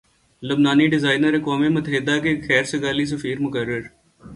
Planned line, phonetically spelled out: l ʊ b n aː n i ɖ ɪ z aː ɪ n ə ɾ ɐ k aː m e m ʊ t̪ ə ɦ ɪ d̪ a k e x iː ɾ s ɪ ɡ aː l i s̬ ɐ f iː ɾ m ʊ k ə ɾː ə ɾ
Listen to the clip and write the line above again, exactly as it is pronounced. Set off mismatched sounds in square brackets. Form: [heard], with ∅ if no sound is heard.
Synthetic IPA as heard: l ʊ b n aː n i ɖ ɪ z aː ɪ n ə ɾ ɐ k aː m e m ʊ t̪ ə ɦ ɪ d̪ a k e x [ɛː] ɾ s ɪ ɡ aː l i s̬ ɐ f iː ɾ m ʊ k ə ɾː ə ɾ